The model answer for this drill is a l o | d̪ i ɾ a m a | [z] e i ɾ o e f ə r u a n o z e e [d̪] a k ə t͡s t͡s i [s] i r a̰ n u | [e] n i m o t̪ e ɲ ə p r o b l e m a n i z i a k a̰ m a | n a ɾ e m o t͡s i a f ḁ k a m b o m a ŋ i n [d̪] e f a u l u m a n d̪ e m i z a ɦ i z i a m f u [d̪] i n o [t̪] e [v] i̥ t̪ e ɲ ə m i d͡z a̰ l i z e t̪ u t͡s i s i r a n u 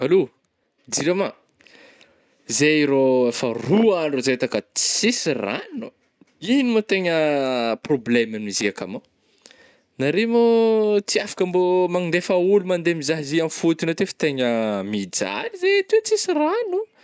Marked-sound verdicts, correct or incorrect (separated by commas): correct, incorrect, correct, incorrect, correct, incorrect, correct, incorrect